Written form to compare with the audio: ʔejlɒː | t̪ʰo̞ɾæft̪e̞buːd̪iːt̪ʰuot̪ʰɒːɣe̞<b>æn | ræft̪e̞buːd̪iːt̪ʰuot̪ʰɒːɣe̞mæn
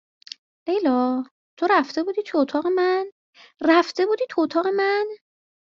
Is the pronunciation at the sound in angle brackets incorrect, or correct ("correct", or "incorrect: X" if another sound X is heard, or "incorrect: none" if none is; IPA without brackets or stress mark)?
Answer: incorrect: m